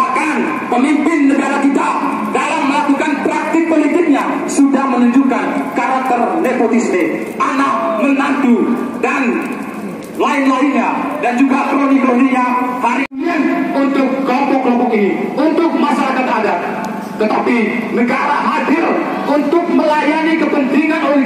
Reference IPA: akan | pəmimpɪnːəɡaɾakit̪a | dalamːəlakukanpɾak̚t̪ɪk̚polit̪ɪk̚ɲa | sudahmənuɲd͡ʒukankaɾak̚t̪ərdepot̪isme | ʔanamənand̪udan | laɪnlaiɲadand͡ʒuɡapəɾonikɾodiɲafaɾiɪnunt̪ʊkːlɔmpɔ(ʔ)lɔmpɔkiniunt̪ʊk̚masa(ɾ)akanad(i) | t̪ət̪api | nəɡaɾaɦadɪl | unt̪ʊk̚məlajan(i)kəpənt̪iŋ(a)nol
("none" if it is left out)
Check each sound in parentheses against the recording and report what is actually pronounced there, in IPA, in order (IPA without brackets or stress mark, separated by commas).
k, l, a, i, a